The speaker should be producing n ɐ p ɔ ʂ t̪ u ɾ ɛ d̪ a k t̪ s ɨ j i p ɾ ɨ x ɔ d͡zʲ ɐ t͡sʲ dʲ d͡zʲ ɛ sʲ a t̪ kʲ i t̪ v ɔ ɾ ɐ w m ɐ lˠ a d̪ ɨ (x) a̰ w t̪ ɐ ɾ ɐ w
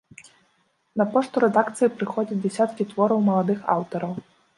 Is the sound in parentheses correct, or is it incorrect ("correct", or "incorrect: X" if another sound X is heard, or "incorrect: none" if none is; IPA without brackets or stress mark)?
correct